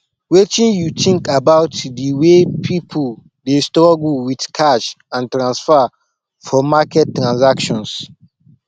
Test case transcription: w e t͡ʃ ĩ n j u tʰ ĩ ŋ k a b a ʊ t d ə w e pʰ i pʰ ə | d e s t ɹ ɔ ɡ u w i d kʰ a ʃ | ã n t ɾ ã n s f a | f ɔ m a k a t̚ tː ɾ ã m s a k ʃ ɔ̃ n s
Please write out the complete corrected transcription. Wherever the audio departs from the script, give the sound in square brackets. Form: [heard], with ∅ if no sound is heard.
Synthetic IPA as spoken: w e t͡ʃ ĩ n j u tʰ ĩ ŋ k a b a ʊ t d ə w e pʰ i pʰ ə | d e s t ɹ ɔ ɡ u w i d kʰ a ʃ | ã n t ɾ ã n s f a | f ɔ m a k [ɛ] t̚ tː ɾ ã [n] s a k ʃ ɔ̃ n s